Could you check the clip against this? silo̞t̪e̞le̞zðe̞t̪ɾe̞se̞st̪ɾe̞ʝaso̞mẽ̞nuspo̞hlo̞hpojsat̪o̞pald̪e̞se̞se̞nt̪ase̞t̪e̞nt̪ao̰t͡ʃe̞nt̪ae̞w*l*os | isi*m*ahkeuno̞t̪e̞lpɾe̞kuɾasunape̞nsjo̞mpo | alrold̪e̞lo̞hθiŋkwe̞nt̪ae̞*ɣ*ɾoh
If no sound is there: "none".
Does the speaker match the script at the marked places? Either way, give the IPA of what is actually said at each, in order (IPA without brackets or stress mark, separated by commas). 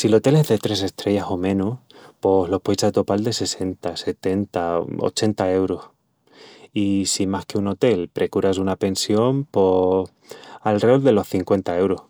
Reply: ɾ, m, w